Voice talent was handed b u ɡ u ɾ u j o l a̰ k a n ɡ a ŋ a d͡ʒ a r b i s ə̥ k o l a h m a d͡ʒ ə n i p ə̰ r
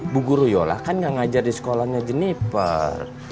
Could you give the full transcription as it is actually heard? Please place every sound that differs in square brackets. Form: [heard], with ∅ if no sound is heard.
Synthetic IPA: b u ɡ u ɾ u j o l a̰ k a n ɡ a ŋ a d͡ʒ a r [d] i s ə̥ k o l a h [ɲ] a d͡ʒ ə n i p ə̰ r